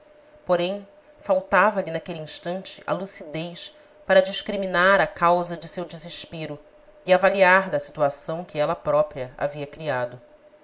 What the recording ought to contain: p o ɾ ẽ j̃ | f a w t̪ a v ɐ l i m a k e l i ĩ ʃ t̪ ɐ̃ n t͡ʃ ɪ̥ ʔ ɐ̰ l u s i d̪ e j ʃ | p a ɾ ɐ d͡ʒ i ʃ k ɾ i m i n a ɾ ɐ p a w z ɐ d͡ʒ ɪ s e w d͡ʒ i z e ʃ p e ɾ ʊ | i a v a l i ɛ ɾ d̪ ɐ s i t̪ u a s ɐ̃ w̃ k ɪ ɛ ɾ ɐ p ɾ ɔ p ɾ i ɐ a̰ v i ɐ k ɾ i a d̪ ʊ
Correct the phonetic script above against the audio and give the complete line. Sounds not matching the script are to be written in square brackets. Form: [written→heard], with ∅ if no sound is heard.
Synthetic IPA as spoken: p o ɾ ẽ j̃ | f a w t̪ a v ɐ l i [m→n] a k e l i ĩ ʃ t̪ ɐ̃ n t͡ʃ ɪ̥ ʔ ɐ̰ l u s i d̪ e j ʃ | p a ɾ ɐ d͡ʒ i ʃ k ɾ i m i n a ɾ ɐ [p→k] a w z ɐ d͡ʒ ɪ s e w d͡ʒ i z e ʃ p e ɾ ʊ | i a v a l i [ɛ→a] ɾ d̪ ɐ s i t̪ u a s ɐ̃ w̃ k ɪ ɛ [ɾ→l] ɐ p ɾ ɔ p ɾ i ɐ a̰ v i ɐ k ɾ i a d̪ ʊ